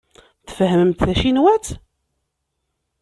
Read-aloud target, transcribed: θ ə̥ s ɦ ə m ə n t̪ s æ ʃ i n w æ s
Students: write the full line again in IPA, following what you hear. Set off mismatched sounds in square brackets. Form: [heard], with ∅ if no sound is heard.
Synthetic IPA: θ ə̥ [f] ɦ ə m ə [m] t̪ [θ] æ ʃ i n w æ [t͡s]